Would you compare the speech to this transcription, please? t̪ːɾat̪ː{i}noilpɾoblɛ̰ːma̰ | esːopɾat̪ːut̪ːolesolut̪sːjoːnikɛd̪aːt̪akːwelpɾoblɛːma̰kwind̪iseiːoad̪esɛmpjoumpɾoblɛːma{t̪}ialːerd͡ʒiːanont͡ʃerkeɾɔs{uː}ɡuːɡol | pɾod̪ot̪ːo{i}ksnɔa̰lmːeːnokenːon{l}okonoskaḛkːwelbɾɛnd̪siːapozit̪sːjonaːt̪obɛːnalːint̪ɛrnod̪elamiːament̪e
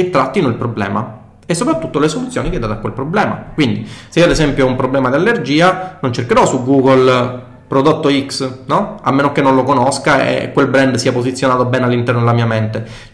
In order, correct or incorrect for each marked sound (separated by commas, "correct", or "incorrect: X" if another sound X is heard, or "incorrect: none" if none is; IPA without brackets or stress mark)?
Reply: correct, incorrect: d̪, incorrect: u, correct, correct